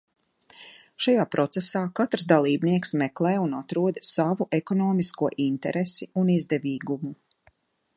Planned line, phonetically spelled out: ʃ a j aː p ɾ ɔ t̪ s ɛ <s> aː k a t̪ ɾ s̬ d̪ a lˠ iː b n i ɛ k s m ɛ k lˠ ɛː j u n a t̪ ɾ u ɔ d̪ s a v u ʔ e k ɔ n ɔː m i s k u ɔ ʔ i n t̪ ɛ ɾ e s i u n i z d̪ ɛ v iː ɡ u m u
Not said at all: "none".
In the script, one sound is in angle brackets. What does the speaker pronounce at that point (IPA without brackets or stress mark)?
s